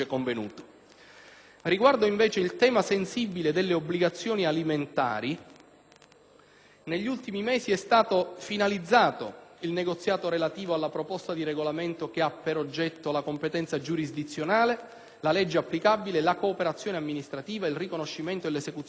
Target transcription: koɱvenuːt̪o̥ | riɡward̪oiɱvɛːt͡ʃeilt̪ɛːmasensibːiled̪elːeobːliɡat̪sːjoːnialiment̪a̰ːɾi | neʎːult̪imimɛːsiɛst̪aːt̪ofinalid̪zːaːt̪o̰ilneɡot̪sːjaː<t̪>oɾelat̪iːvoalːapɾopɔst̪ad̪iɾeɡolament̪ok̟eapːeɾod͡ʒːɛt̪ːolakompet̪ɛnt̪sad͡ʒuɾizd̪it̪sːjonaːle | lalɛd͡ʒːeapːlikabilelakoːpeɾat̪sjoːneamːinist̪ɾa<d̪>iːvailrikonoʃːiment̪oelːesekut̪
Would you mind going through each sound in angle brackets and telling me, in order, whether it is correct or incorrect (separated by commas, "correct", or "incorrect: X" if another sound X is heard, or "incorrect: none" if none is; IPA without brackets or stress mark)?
correct, incorrect: t̪